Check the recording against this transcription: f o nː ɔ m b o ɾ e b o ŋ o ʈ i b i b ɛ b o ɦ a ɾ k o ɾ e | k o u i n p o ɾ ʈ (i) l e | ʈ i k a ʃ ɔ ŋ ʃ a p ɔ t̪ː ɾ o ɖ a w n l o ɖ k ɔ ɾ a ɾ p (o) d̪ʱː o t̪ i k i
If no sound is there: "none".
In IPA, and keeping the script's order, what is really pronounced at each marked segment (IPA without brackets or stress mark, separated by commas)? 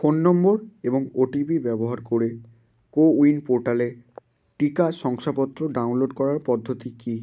a, ɔ